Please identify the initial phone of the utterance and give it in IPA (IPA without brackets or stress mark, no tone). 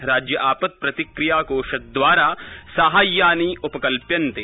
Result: ɾ